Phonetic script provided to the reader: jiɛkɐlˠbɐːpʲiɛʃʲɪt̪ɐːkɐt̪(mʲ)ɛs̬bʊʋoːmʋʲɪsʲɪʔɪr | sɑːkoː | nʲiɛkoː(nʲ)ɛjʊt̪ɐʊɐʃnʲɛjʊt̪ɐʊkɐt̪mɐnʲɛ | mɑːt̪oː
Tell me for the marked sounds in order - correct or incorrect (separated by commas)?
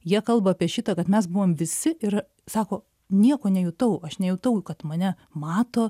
correct, correct